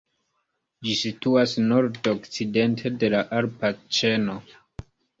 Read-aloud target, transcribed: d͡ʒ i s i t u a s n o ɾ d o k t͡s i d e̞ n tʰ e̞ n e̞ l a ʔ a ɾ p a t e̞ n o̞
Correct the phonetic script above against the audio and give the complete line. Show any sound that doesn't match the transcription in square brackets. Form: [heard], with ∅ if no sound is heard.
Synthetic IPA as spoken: d͡ʒ i s i t u a s n o ɾ d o k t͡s i d e̞ n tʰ e̞ [d] e̞ l a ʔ a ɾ p a [t͡ʃ] e̞ n o̞